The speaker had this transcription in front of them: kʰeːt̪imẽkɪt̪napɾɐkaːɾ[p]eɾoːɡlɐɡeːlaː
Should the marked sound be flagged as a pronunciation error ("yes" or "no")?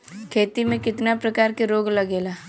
yes